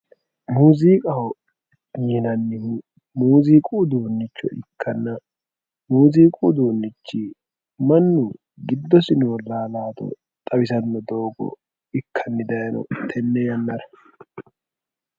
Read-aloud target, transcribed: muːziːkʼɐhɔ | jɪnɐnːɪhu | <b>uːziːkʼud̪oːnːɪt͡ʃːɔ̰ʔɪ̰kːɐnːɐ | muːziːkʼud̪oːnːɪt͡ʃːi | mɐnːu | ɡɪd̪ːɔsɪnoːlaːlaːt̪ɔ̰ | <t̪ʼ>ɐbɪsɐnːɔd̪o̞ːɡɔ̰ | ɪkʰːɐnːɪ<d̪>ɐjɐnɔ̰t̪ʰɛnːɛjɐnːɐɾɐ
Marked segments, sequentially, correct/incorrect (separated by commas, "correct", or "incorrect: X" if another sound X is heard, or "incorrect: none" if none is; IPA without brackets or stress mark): incorrect: m, correct, correct